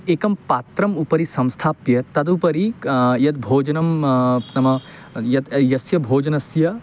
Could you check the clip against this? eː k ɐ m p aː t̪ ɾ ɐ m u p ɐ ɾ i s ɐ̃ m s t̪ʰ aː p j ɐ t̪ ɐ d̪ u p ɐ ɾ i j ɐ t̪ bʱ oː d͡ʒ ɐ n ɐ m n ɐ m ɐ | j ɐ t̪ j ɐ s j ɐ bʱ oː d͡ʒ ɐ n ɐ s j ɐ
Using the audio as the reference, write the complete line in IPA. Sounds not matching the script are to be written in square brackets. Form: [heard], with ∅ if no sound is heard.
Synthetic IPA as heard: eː k ɐ m p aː t̪ ɾ ɐ m u p ɐ ɾ i s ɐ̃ m s t̪ʰ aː p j ɐ t̪ ɐ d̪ u p ɐ ɾ i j ɐ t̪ bʱ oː d͡ʒ ɐ n ɐ m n ɐ m ɐ | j ɐ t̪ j ɐ s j ɐ bʱ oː d͡ʒ ɐ n ɐ s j ɐ